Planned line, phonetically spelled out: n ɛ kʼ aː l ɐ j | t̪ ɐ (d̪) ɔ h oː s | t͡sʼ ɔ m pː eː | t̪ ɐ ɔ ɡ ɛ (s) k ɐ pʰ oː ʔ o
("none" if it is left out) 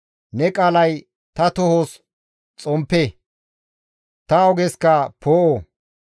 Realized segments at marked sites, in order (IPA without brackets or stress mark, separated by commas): t̪, s